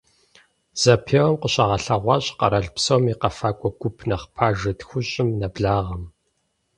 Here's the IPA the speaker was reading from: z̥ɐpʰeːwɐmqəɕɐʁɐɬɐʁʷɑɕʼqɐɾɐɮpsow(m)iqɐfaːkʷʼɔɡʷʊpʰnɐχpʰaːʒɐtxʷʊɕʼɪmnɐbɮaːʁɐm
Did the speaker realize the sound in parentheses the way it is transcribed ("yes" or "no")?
yes